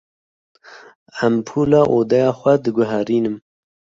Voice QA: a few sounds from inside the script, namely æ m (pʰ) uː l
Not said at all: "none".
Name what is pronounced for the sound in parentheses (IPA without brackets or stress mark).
pʰ